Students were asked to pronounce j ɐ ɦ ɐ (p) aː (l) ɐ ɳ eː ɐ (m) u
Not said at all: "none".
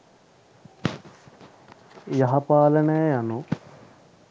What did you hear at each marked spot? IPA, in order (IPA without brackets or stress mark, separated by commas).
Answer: p, l, n